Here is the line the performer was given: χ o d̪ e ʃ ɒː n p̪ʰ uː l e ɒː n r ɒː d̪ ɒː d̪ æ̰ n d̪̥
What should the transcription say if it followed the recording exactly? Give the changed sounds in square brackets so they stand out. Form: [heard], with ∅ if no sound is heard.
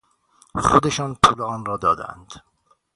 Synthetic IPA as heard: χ o d̪ e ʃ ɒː n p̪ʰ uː l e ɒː n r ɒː d̪ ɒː d̪ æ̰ n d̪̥